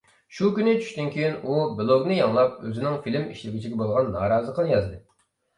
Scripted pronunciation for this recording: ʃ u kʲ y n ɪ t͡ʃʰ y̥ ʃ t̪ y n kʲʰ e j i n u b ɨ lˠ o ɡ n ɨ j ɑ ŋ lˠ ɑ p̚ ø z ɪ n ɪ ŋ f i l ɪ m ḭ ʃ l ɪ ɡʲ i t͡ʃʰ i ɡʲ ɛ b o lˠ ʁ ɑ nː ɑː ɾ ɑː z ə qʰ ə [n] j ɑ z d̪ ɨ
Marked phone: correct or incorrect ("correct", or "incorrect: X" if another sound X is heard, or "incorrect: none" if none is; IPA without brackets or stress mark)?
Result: correct